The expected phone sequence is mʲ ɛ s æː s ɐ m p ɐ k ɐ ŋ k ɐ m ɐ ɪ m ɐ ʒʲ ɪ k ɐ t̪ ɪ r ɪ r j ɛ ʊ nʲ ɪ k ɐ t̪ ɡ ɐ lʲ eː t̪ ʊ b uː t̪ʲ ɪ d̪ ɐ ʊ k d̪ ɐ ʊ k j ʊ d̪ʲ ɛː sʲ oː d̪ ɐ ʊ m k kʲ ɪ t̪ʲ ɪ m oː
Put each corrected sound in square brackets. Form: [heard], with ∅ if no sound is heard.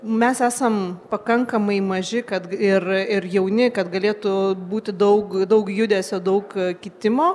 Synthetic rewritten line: mʲ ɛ s æː s ɐ m p ɐ k ɐ ŋ k ɐ m ɐ ɪ m ɐ ʒʲ ɪ k ɐ t̪ ɪ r ɪ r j ɛ ʊ nʲ ɪ k ɐ t̪ ɡ ɐ lʲ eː t̪ ʊ b uː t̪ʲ ɪ d̪ ɐ ʊ k d̪ ɐ ʊ k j ʊ d̪ʲ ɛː sʲ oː d̪ ɐ ʊ [∅] k kʲ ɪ t̪ʲ ɪ m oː